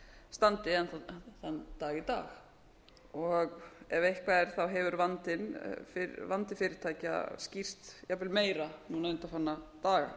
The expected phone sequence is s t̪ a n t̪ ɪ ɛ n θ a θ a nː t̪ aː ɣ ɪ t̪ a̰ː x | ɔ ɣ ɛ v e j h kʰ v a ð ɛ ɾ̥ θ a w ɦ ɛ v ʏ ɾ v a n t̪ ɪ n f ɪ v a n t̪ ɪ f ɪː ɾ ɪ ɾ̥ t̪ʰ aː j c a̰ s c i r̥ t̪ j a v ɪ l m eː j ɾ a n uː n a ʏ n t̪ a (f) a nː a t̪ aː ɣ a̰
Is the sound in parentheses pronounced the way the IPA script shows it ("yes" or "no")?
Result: yes